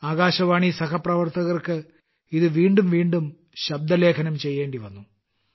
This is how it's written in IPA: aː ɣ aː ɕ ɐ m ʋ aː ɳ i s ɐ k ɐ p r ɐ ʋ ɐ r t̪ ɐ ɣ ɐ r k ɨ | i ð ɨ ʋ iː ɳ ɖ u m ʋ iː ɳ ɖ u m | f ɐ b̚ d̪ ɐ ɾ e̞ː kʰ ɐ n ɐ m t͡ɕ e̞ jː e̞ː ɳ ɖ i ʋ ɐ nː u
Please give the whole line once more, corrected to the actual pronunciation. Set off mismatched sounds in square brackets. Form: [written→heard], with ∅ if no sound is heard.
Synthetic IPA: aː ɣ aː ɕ ɐ [m→∅] ʋ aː ɳ i s ɐ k ɐ p r ɐ ʋ ɐ r t̪ ɐ ɣ ɐ r k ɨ | i ð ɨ ʋ iː ɳ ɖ u m ʋ iː ɳ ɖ u m | [f→ɕ] ɐ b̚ d̪ ɐ [ɾ→l] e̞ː kʰ ɐ n ɐ m t͡ɕ e̞ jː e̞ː ɳ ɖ i ʋ ɐ nː u

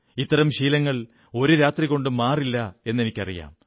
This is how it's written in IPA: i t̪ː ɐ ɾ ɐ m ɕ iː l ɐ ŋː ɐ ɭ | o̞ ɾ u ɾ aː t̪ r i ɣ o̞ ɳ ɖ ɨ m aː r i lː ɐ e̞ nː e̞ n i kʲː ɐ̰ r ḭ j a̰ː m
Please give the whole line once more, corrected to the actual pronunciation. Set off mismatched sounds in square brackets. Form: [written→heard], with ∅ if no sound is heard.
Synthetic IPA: i t̪ː ɐ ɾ ɐ m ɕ iː l ɐ ŋː ɐ ɭ | o̞ ɾ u ɾ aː t̪ r i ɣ o̞ ɳ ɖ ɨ m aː r i lː ɐ e̞ nː e̞ n i kʲː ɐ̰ r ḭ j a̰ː m

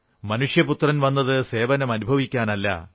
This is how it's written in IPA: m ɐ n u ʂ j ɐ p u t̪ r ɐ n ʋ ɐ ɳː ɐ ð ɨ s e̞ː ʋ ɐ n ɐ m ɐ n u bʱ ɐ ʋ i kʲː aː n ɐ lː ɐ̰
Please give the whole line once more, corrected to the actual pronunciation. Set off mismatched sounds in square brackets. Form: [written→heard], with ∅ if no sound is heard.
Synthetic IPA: m ɐ n u ʂ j ɐ p u t̪ r ɐ n ʋ ɐ [ɳː→nː] ɐ ð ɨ s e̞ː ʋ ɐ n ɐ m ɐ n u bʱ ɐ ʋ i kʲː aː n ɐ lː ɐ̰

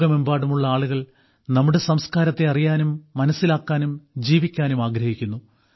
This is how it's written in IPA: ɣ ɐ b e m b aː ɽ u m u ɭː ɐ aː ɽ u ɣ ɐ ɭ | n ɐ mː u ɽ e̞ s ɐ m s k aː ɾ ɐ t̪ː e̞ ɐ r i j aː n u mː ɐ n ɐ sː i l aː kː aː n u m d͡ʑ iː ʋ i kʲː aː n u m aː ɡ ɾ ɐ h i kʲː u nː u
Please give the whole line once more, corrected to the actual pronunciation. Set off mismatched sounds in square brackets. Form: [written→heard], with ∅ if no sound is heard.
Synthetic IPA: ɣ ɐ [b→m] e m b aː ɽ u m u ɭː ɐ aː [ɽ→ɭ] u ɣ ɐ ɭ | n ɐ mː u ɽ e̞ s ɐ m s k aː ɾ ɐ t̪ː e̞ ɐ r i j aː n u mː ɐ n ɐ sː i l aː kː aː n u m d͡ʑ iː ʋ i kʲː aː n u m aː ɡ ɾ ɐ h i kʲː u nː u

